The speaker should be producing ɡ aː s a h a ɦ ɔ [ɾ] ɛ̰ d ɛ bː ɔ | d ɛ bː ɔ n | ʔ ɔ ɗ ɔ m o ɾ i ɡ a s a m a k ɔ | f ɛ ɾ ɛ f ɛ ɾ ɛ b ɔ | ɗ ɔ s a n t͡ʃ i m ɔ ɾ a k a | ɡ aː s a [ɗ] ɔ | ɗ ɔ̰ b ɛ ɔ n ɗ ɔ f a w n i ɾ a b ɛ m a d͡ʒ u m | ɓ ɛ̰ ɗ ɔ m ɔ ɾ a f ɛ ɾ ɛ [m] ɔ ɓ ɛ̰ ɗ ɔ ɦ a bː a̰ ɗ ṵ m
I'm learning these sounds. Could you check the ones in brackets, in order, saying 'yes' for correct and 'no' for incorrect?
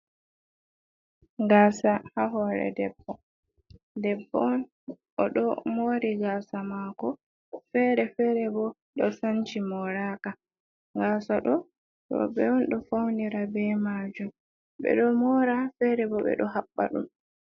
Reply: yes, yes, no

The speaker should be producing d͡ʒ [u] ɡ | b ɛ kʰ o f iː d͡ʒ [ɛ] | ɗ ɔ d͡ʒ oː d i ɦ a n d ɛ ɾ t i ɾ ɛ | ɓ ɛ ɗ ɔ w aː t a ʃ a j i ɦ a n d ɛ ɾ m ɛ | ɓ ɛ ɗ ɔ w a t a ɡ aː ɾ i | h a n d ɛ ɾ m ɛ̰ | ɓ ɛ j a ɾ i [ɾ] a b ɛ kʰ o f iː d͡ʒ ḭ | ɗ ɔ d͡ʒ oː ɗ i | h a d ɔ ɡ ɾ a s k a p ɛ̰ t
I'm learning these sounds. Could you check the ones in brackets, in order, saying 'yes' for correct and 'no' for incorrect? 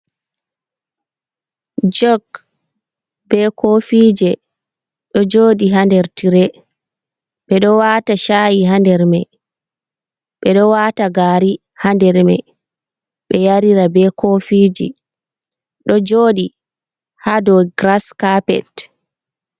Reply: no, yes, yes

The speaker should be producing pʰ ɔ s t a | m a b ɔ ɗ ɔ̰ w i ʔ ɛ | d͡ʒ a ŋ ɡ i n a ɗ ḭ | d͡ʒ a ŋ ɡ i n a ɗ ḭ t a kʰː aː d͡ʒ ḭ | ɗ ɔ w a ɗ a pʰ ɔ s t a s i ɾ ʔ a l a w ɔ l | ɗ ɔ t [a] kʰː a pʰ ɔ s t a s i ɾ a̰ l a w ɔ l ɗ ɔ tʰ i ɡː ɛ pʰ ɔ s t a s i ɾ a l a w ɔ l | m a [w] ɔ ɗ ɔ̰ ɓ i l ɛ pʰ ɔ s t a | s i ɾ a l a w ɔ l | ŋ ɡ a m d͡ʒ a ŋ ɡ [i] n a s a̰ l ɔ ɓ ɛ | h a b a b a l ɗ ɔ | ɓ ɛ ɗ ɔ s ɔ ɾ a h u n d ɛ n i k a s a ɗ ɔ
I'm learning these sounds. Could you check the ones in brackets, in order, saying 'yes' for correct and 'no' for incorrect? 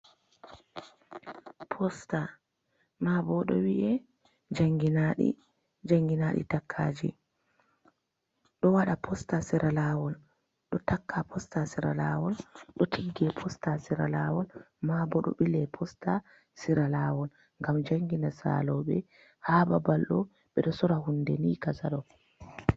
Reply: yes, no, yes

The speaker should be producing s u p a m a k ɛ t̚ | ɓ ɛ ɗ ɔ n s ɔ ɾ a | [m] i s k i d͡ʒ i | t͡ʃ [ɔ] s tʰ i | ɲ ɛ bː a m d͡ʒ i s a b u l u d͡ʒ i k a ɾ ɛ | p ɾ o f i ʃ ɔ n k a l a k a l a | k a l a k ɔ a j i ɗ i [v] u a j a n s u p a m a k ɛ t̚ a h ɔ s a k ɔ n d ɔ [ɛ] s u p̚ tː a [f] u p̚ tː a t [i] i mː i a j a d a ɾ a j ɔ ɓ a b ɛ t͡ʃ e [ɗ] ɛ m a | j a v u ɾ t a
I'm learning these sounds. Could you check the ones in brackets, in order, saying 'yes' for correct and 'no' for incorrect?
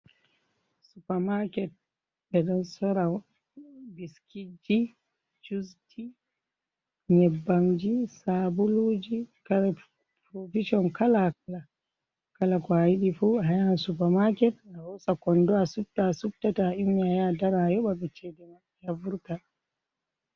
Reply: no, no, no, no, no, no, no

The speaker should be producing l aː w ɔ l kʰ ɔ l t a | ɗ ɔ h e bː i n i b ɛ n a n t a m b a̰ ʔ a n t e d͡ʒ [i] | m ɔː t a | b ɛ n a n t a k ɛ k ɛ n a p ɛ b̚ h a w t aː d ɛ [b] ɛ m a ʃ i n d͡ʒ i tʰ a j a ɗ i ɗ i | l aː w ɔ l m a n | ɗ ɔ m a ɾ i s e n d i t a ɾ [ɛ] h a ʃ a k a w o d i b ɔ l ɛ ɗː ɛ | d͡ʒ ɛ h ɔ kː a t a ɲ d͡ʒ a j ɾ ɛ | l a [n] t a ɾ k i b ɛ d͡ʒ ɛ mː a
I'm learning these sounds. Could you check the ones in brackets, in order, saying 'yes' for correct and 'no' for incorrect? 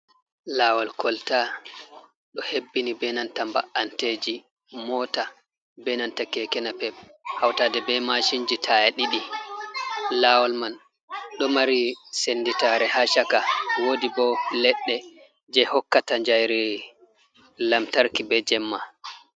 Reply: yes, yes, yes, no

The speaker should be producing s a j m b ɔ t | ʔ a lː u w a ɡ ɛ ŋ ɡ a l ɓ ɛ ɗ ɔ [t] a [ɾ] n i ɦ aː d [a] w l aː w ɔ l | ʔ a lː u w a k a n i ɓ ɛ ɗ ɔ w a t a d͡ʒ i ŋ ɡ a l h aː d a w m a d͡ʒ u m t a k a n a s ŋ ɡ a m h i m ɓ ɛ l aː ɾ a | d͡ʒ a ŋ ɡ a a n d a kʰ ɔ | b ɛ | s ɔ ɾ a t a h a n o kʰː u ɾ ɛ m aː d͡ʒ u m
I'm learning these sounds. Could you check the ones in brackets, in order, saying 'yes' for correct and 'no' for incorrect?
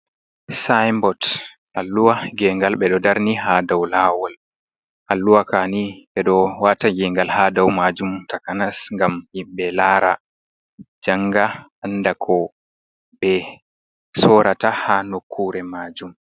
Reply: no, yes, yes

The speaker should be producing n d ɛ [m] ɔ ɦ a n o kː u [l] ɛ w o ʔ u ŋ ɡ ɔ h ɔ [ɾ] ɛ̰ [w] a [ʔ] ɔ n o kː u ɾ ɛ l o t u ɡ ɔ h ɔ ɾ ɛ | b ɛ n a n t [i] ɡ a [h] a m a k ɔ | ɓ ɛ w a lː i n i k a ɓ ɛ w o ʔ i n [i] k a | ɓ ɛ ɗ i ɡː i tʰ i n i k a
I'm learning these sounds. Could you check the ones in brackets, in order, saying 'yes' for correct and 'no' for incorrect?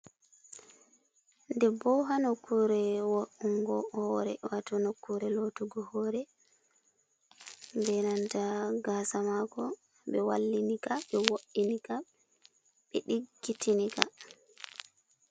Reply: no, no, yes, yes, no, no, no, yes

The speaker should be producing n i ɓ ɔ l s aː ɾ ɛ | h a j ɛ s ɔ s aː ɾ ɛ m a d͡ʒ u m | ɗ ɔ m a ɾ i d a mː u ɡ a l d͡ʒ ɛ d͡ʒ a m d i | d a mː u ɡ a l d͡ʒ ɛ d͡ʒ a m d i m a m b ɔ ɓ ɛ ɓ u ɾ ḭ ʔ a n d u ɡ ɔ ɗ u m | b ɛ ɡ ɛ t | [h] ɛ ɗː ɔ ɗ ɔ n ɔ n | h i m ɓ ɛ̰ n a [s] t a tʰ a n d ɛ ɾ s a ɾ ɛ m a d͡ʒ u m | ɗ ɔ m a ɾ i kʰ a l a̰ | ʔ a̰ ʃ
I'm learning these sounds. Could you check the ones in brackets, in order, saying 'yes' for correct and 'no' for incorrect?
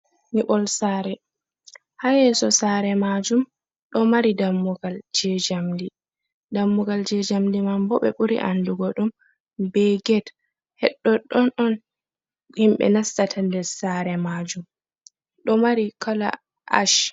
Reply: yes, yes

